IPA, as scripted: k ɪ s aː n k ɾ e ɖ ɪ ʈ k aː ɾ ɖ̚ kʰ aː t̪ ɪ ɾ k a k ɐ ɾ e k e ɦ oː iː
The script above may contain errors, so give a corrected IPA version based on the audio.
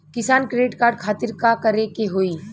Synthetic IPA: k ɪ s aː n k ɾ e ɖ ɪ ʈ k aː ɾ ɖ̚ kʰ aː t̪ ɪ ɾ k a k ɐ ɾ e k e ɦ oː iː